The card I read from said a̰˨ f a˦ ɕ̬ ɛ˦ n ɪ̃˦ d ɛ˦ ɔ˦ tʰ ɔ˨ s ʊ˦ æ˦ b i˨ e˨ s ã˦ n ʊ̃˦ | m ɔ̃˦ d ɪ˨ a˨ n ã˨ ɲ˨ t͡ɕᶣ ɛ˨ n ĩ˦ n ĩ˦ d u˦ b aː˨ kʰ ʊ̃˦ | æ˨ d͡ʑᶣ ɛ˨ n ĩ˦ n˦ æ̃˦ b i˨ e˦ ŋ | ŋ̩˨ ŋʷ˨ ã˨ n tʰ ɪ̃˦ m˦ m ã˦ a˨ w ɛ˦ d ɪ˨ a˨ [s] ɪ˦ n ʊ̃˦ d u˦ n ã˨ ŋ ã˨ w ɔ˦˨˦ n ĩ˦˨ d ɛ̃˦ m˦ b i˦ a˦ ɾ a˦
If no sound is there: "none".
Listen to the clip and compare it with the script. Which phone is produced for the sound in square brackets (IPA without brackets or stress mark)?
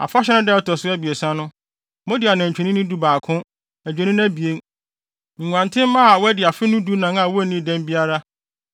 f